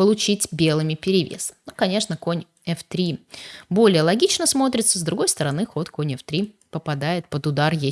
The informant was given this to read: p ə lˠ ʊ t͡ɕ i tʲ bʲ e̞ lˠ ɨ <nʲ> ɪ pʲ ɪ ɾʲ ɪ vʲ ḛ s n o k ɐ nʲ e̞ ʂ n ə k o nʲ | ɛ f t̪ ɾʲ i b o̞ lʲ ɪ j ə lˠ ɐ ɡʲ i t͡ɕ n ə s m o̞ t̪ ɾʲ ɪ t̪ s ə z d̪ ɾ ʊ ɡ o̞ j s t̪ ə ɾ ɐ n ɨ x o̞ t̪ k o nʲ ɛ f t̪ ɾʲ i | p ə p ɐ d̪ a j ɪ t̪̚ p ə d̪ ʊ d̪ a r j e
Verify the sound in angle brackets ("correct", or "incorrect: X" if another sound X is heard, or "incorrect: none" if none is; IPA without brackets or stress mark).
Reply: incorrect: mʲ